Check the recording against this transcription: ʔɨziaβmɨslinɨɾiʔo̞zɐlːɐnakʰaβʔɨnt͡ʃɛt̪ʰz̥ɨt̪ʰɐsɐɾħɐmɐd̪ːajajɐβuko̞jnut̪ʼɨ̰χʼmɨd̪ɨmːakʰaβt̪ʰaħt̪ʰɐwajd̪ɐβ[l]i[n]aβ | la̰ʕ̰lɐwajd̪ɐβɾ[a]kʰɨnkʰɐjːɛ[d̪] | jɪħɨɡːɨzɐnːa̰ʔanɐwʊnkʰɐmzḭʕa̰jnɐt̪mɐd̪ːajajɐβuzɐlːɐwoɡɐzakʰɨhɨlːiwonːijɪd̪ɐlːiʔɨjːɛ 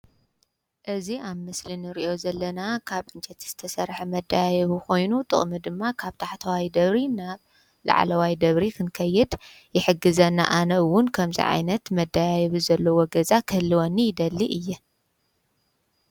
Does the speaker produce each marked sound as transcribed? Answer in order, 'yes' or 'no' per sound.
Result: no, yes, no, yes

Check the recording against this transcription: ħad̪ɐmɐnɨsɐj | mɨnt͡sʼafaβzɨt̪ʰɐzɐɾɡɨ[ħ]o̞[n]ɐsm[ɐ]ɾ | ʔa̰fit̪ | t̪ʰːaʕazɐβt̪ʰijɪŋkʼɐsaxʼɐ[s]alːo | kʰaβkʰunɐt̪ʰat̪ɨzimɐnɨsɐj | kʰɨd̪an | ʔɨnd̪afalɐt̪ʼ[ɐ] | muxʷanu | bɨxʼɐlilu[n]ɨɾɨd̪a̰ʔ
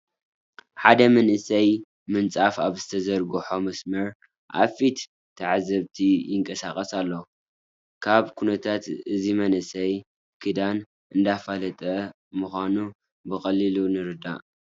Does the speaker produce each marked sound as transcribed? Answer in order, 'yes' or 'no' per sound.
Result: yes, no, yes, yes, yes, yes

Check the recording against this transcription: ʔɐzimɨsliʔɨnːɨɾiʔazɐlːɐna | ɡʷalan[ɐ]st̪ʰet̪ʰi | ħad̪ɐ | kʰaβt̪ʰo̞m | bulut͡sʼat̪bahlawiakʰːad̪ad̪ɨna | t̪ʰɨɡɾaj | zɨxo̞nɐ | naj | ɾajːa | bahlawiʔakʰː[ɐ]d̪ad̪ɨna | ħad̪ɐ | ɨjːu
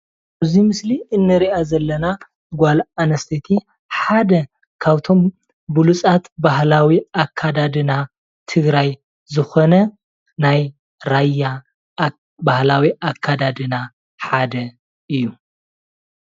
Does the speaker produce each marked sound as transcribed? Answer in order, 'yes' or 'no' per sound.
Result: yes, no

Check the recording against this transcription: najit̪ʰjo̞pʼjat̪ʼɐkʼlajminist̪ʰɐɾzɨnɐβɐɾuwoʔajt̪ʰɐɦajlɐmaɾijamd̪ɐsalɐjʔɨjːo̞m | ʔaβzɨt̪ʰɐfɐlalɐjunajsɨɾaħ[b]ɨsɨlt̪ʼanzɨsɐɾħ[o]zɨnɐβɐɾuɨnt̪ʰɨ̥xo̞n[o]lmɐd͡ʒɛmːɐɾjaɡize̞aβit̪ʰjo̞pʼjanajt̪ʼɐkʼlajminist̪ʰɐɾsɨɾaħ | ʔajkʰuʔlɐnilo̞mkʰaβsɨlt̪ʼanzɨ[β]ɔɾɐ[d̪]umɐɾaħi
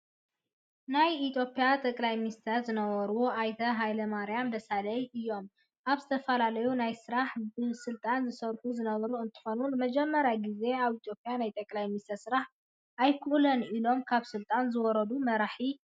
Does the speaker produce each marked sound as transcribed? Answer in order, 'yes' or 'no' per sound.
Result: yes, no, no, no, yes

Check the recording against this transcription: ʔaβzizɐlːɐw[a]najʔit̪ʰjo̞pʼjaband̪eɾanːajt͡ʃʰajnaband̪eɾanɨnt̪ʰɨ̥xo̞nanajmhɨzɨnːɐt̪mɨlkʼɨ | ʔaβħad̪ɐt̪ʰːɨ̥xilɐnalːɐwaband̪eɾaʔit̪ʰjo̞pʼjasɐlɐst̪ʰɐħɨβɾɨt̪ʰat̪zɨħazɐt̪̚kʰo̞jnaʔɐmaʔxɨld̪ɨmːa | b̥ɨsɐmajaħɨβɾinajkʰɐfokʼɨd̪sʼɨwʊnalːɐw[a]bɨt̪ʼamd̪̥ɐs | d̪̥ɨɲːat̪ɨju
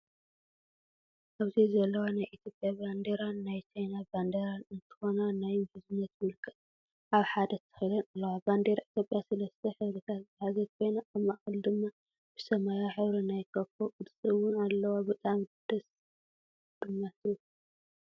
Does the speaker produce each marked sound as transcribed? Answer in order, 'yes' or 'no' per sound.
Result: yes, yes

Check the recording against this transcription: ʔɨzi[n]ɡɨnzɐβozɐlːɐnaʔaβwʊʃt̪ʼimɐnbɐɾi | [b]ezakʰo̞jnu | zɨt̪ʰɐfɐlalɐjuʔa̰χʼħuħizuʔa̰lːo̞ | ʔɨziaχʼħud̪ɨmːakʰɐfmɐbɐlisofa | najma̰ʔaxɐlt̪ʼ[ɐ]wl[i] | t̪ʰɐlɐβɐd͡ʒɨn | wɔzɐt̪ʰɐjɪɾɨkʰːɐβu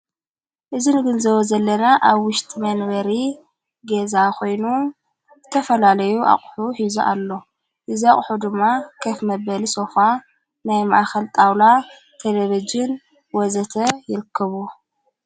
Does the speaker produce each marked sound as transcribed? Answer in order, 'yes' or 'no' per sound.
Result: yes, no, no, no

